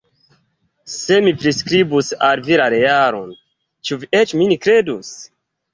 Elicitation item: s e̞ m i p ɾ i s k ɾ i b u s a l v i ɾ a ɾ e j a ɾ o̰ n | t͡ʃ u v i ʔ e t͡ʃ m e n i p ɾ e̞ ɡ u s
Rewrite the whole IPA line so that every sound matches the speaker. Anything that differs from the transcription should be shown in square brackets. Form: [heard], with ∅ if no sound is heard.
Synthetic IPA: s e̞ m i p ɾ i s k ɾ i b u s a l v i ɾ a ɾ e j a ɾ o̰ n | t͡ʃ u v i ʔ e t͡ʃ m [i] n i [k] ɾ e̞ [d] u s